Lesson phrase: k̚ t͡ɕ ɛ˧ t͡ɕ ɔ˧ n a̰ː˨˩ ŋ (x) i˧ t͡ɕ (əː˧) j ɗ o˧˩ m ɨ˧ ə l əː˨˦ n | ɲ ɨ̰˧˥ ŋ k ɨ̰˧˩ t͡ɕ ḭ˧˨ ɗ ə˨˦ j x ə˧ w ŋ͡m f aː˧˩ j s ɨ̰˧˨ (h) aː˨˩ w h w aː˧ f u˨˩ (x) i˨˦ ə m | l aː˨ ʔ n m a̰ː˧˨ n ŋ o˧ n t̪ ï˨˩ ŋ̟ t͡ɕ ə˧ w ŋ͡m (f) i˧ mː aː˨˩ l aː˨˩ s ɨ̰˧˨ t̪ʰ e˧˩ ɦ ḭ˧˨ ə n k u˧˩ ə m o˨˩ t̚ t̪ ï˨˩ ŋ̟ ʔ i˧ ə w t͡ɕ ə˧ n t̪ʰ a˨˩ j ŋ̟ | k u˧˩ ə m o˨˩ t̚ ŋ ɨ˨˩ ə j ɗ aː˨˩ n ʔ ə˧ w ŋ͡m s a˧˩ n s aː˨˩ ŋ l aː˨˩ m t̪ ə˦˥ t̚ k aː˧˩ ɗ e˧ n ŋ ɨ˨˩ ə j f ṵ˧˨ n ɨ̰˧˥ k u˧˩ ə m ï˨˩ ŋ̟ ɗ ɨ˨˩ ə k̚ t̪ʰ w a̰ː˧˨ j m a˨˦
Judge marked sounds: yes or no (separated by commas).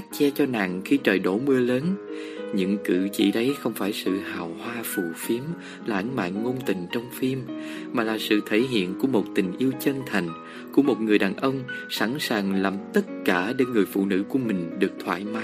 yes, no, yes, no, yes